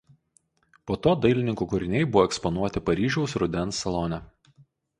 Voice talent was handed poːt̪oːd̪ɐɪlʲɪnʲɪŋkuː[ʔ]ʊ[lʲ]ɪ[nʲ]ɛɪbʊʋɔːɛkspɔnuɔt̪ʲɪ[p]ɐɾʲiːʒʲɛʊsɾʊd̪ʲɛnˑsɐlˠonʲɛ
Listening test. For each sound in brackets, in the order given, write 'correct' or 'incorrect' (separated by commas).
incorrect, incorrect, correct, correct